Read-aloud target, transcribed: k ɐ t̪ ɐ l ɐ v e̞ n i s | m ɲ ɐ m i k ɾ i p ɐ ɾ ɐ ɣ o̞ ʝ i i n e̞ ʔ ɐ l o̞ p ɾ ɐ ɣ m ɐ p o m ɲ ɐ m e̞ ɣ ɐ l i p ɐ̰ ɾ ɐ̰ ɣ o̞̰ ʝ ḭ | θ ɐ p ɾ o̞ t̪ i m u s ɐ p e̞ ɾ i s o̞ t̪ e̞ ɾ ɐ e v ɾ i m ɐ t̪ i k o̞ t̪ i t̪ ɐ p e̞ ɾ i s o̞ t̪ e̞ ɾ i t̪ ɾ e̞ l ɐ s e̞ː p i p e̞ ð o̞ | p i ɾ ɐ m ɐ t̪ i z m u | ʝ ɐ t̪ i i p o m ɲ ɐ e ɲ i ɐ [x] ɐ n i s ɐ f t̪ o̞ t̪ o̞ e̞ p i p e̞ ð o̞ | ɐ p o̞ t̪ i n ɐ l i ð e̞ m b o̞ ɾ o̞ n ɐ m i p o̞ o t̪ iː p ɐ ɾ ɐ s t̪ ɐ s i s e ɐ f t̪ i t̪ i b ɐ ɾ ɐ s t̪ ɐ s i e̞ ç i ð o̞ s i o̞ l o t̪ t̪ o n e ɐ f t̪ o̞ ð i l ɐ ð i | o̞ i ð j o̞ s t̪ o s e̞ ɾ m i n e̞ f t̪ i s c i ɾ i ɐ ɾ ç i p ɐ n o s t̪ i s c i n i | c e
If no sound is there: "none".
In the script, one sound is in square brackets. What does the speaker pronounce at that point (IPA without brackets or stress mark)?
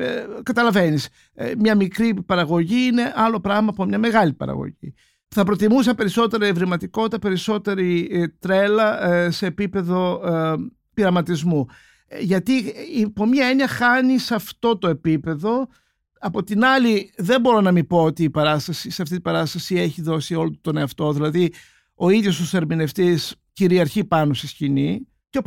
x